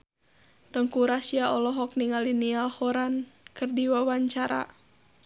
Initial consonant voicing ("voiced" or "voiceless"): voiceless